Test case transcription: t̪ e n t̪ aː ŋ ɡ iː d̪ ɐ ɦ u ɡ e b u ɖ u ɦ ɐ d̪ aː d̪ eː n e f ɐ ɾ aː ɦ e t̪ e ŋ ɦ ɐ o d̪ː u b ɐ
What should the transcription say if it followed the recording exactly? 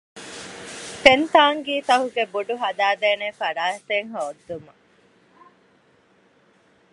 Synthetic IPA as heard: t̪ e n t̪ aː ŋ ɡ iː t̪ ɐ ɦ u ɡ e b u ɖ u ɦ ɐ d̪ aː d̪ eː n e f ɐ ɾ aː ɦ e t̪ e ŋ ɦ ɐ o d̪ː u m ɐ